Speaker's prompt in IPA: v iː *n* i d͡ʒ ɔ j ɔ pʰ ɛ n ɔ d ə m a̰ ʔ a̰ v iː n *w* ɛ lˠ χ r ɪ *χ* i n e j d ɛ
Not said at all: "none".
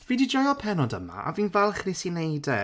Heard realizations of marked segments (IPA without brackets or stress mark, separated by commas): d, v, s